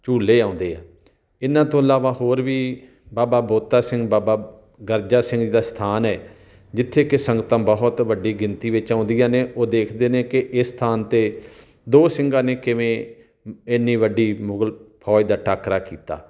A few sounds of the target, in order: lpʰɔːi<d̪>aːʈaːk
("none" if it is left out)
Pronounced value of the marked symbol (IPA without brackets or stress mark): d̪